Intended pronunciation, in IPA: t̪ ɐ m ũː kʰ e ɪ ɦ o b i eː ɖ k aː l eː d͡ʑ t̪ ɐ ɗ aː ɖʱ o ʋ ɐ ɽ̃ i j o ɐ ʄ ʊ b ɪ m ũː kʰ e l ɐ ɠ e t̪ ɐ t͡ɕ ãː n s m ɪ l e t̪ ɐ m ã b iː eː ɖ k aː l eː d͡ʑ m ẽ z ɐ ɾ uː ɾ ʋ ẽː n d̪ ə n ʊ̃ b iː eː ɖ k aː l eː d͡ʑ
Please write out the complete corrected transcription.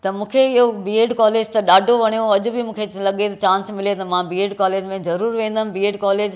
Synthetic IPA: t̪ ɐ m ũː kʰ e ɪ ɦ o b i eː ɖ k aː l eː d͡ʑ t̪ ɐ ɗ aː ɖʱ o ʋ ɐ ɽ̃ i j o ɐ ʄ ʊ b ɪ m ũː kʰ e l ɐ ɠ e t̪ ɐ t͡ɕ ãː n s m ɪ l e t̪ ɐ m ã b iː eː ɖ k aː l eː d͡ʑ m ẽ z ɐ ɾ uː ɾ ʋ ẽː n d̪ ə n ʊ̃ b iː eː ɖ k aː l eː d͡ʑ